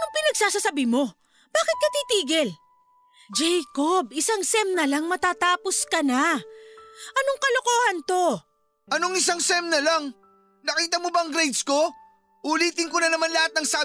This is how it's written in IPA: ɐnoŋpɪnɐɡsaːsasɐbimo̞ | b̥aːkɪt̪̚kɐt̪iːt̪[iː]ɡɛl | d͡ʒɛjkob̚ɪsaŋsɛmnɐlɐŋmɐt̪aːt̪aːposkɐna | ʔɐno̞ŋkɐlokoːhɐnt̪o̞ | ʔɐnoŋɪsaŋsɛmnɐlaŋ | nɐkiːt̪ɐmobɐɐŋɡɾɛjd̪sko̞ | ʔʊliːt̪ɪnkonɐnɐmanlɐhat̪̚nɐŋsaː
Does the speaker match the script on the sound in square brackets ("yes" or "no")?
yes